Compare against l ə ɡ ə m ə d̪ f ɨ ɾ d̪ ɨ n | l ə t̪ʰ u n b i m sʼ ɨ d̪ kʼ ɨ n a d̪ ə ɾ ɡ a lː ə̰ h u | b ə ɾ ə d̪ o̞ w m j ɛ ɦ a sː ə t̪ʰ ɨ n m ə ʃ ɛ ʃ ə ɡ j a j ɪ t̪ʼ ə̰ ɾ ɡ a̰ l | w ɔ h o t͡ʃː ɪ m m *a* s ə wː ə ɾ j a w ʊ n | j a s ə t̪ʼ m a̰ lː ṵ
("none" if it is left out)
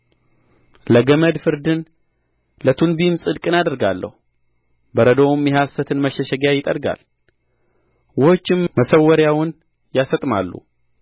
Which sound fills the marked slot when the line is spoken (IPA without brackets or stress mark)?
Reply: ə